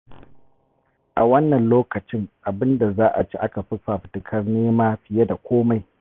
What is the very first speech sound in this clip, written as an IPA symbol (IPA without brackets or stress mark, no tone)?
ʔ